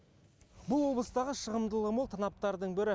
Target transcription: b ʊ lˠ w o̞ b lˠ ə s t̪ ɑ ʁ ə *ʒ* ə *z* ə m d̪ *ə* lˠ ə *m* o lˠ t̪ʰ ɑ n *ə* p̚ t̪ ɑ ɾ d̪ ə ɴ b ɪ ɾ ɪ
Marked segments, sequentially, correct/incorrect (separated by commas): incorrect, incorrect, correct, correct, incorrect